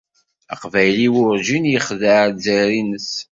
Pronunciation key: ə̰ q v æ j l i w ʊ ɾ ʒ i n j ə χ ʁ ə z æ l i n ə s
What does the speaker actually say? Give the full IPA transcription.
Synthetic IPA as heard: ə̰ q v æ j l i w ʊ ɾ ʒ i n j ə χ ð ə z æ ɾ i n ə s

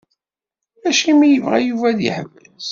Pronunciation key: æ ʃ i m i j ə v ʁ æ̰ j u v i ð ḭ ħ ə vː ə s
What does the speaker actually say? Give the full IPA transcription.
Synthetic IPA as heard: æ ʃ i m i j ə v ʁ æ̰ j u v æ ð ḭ ħ ə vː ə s

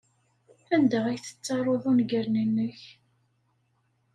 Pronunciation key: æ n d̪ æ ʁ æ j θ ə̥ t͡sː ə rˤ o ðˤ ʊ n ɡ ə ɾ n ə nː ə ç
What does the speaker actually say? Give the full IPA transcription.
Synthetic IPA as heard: æ n d̪ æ ʁ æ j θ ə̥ t͡sː ɑ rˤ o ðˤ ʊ n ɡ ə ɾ n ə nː ə ç

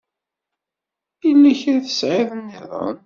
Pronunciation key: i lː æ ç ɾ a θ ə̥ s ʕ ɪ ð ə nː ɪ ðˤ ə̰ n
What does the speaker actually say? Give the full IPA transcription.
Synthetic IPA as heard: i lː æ ç ɾ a θ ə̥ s ʕ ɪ ð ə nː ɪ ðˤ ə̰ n

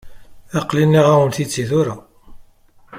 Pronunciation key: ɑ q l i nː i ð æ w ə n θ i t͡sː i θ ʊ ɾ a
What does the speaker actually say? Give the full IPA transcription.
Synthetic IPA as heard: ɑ q l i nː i ʁ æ w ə n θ i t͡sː i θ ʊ ɾ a

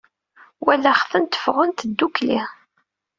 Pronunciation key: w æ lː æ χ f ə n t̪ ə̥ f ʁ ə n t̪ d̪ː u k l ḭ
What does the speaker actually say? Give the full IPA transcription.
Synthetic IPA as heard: w æ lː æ χ θ ə n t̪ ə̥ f ʁ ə n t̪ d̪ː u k l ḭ

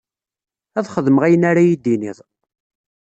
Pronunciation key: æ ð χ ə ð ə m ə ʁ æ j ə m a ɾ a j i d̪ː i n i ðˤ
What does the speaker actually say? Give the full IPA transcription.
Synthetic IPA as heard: æ ð χ ə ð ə m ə ʁ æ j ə n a ɾ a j i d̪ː i n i ðˤ

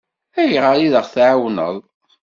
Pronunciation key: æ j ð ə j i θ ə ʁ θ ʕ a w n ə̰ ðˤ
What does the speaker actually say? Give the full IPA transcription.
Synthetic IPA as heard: æ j ʁ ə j i ð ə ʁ θ ʕ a w n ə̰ ðˤ

